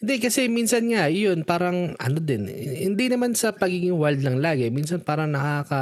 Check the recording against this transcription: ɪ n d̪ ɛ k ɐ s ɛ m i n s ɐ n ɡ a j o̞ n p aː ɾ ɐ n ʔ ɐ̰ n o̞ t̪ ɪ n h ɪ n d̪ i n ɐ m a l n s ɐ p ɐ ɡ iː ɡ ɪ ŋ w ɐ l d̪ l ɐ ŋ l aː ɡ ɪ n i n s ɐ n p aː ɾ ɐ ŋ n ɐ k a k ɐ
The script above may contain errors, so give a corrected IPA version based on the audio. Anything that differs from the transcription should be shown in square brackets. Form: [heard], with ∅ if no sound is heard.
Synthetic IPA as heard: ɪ n d̪ ɛ k ɐ s ɛ m i n s ɐ n [ŋ] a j o̞ n p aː ɾ ɐ [ŋ] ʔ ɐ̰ n o̞ [d̪] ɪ n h ɪ n d̪ i n ɐ m a [∅] n s ɐ p ɐ ɡ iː ɡ ɪ ŋ w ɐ l d̪ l ɐ ŋ l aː ɡ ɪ [m] i n s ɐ n p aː ɾ ɐ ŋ n ɐ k a k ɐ